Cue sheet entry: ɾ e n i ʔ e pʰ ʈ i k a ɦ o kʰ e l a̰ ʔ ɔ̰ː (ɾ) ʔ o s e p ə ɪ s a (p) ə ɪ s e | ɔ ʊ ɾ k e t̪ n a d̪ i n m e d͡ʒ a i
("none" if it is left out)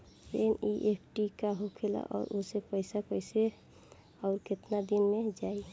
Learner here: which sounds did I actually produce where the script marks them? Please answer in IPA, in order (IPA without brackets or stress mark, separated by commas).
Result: ɾ, p